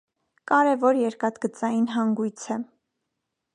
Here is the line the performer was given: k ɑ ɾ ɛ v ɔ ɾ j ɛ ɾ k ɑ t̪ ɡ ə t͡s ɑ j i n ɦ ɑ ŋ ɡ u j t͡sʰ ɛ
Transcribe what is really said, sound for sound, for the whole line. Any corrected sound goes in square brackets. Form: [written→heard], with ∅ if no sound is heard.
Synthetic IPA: k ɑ ɾ ɛ v ɔ ɾ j ɛ ɾ k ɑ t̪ ɡ ə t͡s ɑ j i n ɦ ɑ ŋ ɡ u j t͡sʰ ɛ

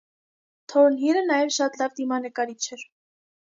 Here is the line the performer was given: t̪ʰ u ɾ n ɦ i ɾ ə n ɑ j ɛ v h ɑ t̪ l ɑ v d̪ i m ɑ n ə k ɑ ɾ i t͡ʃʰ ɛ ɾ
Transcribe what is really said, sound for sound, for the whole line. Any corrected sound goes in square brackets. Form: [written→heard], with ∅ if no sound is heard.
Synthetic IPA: t̪ʰ [u→ɔ] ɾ n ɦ i ɾ ə n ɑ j ɛ v [h→ʃ] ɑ t̪ l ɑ v d̪ i m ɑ n ə k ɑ ɾ i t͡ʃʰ ɛ ɾ

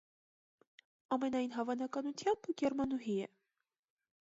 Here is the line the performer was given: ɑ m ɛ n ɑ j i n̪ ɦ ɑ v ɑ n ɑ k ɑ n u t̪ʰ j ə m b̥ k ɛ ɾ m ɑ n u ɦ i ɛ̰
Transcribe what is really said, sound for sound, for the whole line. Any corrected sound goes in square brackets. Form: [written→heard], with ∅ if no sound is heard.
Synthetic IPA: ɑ m ɛ n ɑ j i n̪ ɦ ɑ v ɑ n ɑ k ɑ n u t̪ʰ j [ə→ɑ] m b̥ [k→ɡ] ɛ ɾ m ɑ n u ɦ i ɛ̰

